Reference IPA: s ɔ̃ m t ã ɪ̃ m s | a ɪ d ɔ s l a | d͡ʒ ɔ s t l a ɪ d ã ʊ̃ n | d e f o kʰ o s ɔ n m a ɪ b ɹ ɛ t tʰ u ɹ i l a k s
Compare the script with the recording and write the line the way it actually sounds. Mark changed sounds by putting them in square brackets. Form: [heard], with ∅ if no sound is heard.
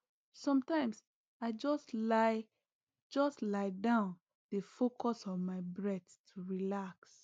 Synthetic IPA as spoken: s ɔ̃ m t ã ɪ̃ m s | a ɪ [d͡ʒ] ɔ s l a | d͡ʒ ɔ s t l a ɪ d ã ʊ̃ n | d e f o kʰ [ɔ] s ɔ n m a ɪ b ɹ ɛ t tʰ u ɹ i l a k s

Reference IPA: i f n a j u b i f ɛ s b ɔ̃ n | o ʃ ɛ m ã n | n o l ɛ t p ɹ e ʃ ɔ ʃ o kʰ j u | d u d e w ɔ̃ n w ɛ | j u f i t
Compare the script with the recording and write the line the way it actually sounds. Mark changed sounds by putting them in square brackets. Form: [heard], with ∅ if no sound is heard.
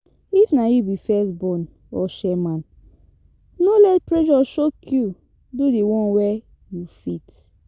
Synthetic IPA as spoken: i f n a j u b i f ɛ s b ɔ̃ n | [ɔ] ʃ ɛ m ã n | n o l ɛ t p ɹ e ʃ ɔ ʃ o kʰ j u | d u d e w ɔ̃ n w ɛ | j u f i t

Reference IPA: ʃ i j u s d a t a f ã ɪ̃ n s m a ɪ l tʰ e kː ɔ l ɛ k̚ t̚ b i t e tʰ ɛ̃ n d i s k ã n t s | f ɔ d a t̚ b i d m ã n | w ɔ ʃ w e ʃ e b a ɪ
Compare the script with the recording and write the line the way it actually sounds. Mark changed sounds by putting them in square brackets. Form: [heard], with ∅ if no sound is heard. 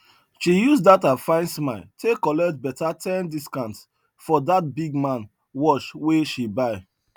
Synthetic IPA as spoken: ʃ i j u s d a t a f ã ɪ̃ n s m a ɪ l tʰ e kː ɔ l ɛ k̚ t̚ b [ɛ] t [a] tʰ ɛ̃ n d i s k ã n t s | f ɔ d a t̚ b i [ɡ] m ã n | w ɔ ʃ w e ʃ [i] b a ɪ

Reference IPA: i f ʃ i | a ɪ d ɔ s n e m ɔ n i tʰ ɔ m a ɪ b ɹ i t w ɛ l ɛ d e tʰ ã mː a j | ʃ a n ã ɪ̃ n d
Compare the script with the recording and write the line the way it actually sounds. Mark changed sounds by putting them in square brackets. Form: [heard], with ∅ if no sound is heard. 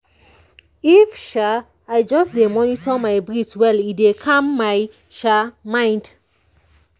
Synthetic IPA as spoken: i f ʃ [a] | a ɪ [d͡ʒ] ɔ s [d] e m ɔ n i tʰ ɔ m a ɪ b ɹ i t w ɛ l [i] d e [kʰ] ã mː a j | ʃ a [m] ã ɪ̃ n d

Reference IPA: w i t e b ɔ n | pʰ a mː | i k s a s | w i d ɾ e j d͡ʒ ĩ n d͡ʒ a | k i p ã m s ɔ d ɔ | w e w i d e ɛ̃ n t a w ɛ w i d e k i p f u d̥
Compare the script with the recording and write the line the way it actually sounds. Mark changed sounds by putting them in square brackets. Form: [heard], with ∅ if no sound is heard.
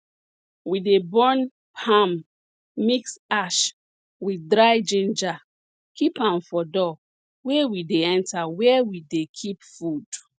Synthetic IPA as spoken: w i [d] e b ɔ n | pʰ a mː | i k s a [ʃ] | w i d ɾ [a] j d͡ʒ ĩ n d͡ʒ a | k i p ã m [f] ɔ d ɔ | w e w i d e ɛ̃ n t a w ɛ w i d e [kʰ] i p f u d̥

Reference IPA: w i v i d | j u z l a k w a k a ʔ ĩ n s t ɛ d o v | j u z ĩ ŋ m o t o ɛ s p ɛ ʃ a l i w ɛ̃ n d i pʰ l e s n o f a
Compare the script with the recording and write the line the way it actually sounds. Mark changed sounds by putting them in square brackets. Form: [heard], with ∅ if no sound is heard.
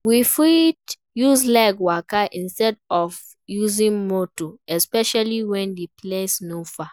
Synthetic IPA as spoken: w i [f] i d | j u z l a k w a k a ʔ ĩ n s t ɛ d [ɔ] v | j u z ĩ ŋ m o t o ɛ s p ɛ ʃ a l i w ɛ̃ n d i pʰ l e s n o f a

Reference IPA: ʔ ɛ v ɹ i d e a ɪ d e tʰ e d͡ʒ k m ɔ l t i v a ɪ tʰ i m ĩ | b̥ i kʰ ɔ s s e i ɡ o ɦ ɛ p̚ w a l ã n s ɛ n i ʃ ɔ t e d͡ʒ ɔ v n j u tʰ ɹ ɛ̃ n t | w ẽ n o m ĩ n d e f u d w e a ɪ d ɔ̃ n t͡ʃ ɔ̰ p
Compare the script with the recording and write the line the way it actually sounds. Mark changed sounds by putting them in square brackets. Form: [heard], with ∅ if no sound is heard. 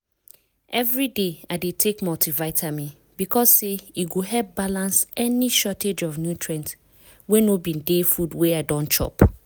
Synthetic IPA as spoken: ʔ ɛ v ɹ i d e a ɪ d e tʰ e [∅] k m ɔ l t i v a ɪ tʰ [a] m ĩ | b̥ i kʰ ɔ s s e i ɡ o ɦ ɛ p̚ [b] a l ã n s ɛ n i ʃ ɔ t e d͡ʒ ɔ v n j u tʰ ɹ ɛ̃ n t | w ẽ n o [b] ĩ n d e f u d w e a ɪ d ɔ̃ n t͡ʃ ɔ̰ p

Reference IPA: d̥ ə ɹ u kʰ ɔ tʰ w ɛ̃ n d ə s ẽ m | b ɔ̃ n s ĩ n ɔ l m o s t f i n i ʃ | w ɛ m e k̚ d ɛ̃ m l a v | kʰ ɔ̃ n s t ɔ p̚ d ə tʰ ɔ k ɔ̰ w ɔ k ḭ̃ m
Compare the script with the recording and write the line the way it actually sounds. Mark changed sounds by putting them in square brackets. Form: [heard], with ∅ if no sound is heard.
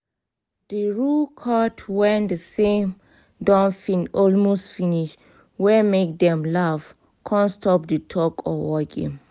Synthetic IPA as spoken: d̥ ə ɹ u kʰ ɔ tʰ w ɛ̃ n d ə s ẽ m | [d] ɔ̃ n [f] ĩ n ɔ l m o s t f i n i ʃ | w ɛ m e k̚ d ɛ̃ m l a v | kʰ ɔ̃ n s t ɔ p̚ d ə tʰ ɔ k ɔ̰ w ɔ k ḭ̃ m

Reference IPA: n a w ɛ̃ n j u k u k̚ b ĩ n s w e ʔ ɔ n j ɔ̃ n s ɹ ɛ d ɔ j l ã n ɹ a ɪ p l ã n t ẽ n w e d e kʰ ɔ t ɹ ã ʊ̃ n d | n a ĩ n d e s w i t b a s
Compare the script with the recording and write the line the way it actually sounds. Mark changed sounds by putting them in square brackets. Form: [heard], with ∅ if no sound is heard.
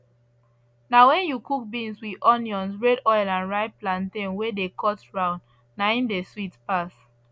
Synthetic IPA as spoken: n a w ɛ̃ n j u k u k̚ b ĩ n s w [i] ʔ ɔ n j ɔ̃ n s ɹ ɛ d ɔ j l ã n ɹ a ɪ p l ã n t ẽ n w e d e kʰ ɔ t ɹ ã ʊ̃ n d | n a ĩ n d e s w i t [p] a s

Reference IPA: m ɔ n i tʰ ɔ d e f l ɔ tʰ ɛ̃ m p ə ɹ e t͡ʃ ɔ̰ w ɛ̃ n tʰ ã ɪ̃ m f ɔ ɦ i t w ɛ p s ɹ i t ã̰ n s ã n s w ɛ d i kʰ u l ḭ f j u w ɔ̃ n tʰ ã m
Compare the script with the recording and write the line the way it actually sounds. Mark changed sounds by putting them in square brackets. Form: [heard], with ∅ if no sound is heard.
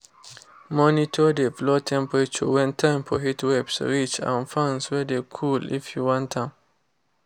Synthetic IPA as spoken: m ɔ n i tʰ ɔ d e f l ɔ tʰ ɛ̃ m p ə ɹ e t͡ʃ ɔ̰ w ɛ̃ n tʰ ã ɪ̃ m f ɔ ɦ i t w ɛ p s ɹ i [t͡ʃ] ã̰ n [f] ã n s w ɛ d [e] kʰ u l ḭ f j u w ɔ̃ n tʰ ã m

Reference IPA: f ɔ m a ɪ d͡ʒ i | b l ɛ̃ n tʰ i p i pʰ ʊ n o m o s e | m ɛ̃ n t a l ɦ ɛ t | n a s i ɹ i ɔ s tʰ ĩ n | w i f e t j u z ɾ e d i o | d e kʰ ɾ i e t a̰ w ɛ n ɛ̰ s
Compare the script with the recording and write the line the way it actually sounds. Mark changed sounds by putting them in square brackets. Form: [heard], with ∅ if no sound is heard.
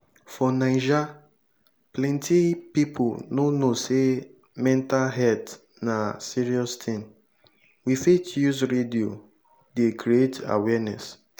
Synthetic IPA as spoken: f ɔ [n] a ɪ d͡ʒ [a] | [p] l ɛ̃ n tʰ i p i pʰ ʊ n o [n] o s e | m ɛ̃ n t a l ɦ ɛ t | n a s i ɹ i ɔ s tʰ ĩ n | w i f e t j u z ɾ e d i o | d e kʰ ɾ i e t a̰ w ɛ n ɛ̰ s

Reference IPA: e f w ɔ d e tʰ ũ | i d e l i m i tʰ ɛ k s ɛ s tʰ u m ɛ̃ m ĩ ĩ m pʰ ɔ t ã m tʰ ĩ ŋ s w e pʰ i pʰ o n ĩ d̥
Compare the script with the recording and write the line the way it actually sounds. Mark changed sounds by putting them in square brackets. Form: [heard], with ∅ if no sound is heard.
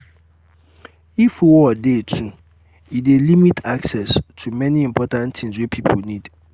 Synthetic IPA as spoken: [i] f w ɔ d e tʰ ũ | i d e l i m i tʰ [a] k s ɛ s tʰ u m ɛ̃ [n] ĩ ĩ m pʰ ɔ t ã [n] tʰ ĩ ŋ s w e pʰ i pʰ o n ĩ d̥

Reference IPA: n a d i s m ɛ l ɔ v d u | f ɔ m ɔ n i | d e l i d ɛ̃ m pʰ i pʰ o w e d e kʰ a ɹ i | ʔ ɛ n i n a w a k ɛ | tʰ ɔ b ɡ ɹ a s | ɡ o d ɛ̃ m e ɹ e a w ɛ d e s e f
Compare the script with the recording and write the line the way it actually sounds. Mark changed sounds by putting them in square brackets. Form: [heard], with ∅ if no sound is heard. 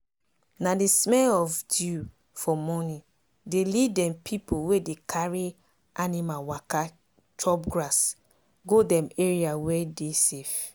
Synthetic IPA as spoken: n a d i s m ɛ l ɔ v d u | f ɔ m ɔ n i | d e l i d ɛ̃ m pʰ i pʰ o w e d e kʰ a ɹ i | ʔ [a] n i [m] a w a k [a] | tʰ ɔ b ɡ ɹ a s | ɡ o d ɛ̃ m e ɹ [i] a w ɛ d e s e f

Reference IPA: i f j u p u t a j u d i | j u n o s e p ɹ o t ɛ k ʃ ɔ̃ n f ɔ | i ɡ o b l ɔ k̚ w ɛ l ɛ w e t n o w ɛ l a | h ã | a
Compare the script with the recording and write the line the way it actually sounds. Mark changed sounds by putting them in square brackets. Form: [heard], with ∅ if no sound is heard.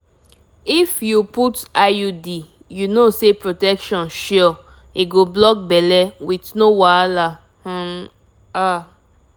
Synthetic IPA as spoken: i f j u p u t a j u d i | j u n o s e p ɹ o t ɛ k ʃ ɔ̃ n [ʃ] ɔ | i ɡ o b l ɔ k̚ [b] ɛ l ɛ w [i] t n o w [a] l a | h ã | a

